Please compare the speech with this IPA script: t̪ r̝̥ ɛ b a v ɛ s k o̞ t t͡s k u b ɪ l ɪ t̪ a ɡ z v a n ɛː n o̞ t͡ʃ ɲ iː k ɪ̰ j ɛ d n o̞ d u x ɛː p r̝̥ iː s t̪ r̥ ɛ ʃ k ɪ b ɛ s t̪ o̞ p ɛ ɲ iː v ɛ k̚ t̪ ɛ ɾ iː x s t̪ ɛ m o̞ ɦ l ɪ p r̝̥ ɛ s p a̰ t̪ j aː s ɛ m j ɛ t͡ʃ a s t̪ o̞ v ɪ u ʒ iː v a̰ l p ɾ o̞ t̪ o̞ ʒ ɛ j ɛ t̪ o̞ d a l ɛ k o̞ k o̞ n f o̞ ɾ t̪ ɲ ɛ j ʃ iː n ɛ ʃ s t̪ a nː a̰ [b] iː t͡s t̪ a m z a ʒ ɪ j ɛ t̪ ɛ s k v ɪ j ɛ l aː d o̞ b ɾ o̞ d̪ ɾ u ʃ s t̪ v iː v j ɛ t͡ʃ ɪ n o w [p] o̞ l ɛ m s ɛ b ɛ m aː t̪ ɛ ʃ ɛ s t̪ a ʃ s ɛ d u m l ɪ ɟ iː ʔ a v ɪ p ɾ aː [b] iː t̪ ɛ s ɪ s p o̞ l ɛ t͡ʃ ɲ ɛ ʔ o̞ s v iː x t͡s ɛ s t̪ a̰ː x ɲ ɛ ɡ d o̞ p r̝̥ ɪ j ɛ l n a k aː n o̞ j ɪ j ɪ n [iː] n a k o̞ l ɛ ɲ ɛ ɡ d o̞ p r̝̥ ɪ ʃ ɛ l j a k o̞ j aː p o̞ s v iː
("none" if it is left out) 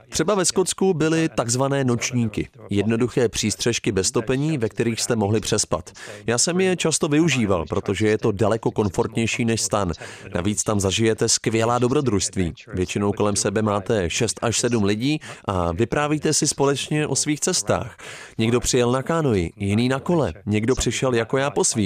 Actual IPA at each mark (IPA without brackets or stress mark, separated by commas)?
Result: v, k, v, iː